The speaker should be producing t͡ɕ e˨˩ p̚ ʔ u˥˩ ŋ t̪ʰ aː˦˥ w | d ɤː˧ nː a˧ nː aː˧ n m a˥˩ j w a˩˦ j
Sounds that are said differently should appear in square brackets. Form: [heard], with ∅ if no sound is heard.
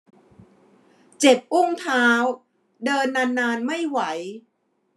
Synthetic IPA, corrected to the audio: t͡ɕ e˨˩ p̚ ʔ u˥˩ ŋ t̪ʰ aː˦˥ w | d ɤː˧ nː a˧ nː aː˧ n m a˥˩ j w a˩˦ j